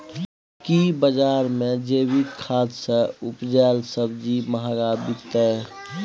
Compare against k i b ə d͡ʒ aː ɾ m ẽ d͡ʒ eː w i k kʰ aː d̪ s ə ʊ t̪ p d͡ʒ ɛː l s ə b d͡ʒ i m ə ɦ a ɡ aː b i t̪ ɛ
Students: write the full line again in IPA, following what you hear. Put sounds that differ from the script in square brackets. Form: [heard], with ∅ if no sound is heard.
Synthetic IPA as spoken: k i b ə d͡ʒ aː ɾ m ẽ d͡ʒ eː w i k kʰ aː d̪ s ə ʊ [∅] p d͡ʒ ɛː l s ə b d͡ʒ i m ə ɦ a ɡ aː b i t̪ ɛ